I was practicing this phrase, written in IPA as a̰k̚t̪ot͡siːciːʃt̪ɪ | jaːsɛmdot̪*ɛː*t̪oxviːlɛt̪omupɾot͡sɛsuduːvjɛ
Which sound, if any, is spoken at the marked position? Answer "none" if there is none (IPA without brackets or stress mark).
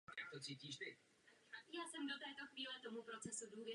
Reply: ɛː